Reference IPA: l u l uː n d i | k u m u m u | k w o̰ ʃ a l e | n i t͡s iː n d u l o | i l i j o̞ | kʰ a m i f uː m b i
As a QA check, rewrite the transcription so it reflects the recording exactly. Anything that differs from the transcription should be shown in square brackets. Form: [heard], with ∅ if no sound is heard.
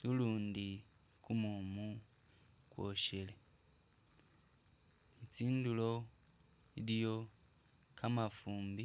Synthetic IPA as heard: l u l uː n d i | k u m u m u | k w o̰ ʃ [e] l e | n i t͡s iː n d u l o | i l i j o̞ | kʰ a m [a] f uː m b i